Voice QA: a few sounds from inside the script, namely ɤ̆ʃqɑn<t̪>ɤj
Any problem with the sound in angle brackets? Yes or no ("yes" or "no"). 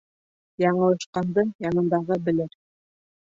yes